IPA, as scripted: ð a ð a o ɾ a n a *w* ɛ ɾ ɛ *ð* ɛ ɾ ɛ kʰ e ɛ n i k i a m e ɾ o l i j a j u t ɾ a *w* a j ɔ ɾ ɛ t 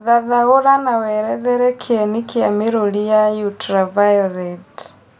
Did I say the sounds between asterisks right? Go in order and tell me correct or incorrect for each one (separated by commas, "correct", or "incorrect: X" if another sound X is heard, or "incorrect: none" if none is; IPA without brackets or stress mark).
correct, correct, incorrect: v